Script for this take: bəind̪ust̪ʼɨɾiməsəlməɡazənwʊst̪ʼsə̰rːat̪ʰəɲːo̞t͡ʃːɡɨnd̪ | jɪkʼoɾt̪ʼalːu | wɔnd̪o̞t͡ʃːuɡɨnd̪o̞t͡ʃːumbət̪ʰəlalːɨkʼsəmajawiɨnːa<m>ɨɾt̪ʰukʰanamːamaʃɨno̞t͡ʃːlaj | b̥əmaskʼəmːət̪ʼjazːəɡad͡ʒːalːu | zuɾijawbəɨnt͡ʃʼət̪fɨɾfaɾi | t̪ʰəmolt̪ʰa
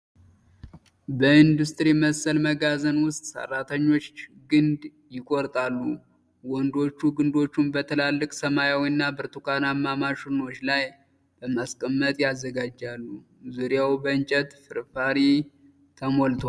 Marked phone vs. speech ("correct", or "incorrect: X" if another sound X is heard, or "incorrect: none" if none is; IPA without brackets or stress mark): incorrect: b